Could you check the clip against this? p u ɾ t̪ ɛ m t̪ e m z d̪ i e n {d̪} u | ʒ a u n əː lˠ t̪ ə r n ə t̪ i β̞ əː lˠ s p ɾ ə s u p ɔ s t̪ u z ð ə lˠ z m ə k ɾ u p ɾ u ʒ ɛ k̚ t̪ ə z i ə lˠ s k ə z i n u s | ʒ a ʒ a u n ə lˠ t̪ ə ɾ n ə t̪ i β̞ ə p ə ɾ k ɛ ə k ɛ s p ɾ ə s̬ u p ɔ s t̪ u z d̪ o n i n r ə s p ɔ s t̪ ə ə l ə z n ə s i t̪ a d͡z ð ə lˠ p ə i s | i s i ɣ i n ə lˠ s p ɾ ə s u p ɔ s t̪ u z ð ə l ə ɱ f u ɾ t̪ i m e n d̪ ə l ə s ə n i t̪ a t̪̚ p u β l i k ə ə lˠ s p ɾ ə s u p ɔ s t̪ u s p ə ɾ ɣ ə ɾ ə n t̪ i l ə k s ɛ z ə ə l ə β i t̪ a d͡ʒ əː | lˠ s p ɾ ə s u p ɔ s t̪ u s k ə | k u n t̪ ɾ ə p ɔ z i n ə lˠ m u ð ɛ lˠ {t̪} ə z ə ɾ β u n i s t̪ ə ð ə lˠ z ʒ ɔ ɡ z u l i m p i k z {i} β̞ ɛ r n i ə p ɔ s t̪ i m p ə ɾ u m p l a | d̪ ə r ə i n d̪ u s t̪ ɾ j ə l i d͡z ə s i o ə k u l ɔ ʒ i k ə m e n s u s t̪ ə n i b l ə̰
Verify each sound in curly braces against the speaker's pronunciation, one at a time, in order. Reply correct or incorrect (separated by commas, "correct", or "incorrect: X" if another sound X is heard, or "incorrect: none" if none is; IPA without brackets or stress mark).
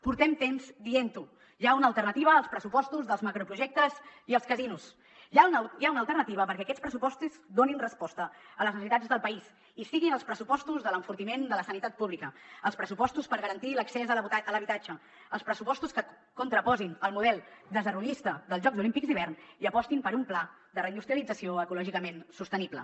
incorrect: t̪, incorrect: d̪, correct